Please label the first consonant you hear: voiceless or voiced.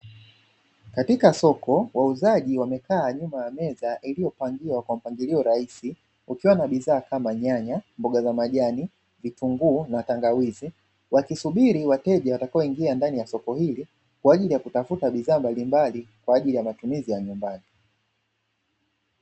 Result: voiceless